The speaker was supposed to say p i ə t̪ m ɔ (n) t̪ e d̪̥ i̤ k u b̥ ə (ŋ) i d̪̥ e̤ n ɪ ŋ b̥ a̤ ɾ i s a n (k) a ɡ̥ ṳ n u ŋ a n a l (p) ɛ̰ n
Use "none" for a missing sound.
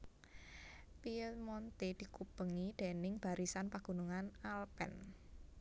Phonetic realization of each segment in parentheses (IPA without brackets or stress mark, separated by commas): n, ŋ, p, p